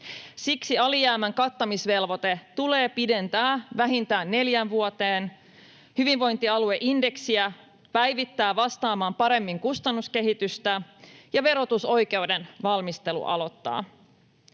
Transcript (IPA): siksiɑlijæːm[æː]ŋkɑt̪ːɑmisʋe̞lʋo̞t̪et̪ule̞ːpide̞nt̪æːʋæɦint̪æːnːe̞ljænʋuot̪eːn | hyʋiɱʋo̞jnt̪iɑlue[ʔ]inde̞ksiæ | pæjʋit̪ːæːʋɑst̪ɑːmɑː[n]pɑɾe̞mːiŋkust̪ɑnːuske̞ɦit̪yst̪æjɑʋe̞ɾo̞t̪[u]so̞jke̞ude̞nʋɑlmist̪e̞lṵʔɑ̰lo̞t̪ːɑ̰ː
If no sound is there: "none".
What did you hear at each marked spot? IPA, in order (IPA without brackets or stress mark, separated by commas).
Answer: æ, ʔ, m, u